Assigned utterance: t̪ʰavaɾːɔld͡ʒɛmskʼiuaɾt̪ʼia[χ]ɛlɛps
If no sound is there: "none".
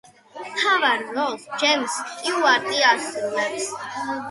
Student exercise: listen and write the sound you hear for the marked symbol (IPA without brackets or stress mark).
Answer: s